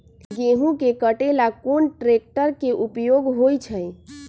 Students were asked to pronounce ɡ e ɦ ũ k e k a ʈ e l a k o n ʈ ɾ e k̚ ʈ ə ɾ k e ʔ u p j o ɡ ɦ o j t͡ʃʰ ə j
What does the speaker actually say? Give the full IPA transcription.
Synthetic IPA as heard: ɡ e ɦ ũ k e k ə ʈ e l a k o n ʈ ɾ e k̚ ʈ ə ɾ k e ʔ u p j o ɡ ɦ o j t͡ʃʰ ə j